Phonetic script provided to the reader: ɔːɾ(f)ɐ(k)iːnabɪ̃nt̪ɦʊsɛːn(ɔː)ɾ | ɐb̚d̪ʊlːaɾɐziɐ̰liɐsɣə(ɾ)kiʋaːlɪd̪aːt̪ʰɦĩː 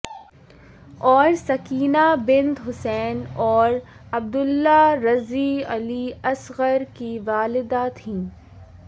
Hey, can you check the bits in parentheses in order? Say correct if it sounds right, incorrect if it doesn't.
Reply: incorrect: s, correct, correct, correct

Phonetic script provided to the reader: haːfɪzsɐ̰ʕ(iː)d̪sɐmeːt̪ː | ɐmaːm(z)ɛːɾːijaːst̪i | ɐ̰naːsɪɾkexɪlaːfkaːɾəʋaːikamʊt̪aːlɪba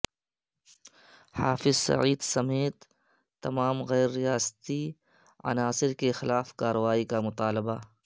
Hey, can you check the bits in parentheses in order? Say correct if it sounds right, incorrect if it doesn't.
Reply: correct, incorrect: ɣ

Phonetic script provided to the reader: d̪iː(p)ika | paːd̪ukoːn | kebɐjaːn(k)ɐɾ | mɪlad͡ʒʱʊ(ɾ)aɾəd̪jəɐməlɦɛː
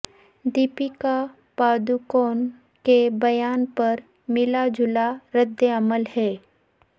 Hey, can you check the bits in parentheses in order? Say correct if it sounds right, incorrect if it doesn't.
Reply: correct, incorrect: p, incorrect: l

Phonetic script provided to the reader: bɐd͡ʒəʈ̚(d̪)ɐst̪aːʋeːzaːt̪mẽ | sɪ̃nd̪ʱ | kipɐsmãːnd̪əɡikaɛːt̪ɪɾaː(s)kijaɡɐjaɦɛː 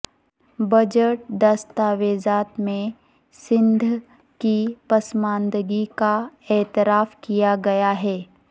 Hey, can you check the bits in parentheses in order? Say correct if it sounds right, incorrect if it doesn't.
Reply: correct, incorrect: f

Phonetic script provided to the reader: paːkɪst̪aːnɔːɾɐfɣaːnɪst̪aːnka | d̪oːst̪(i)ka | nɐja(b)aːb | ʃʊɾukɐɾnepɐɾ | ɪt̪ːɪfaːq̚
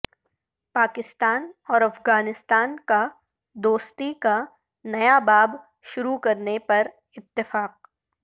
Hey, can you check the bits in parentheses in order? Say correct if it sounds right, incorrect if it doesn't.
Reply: correct, correct

